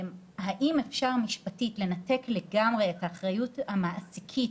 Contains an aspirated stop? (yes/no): yes